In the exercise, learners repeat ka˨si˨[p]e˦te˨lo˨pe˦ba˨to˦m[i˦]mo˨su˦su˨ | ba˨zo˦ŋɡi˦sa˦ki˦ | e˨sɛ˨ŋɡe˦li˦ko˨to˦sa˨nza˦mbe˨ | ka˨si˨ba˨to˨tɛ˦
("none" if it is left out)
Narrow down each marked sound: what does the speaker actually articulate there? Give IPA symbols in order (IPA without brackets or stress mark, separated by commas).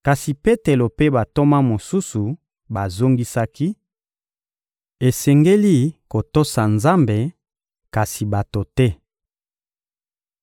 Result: p, a˦